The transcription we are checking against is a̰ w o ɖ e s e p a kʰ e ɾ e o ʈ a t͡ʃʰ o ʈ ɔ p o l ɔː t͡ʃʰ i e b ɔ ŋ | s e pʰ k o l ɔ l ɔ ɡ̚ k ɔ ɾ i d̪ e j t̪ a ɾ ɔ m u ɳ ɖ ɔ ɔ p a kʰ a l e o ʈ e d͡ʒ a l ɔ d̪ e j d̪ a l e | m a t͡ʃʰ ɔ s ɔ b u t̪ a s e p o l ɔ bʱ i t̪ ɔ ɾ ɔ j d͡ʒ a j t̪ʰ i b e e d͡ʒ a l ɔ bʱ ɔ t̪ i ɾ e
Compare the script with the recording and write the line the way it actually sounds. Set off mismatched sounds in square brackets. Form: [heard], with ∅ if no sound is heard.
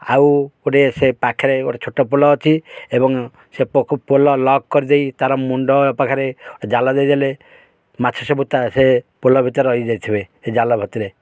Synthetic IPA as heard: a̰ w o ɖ e s e p a kʰ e ɾ e o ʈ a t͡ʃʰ o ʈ ɔ p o l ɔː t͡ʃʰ i e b ɔ ŋ | s e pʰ [p] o l ɔ l ɔ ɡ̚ k ɔ ɾ i d̪ e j t̪ a ɾ ɔ m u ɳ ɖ ɔ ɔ p a kʰ a [ɾ] e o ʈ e d͡ʒ a l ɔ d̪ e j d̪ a l e | m a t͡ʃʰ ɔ s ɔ b u t̪ a s e p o l ɔ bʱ i t̪ ɔ ɾ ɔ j d͡ʒ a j t̪ʰ i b e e d͡ʒ a l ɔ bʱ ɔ t̪ i ɾ e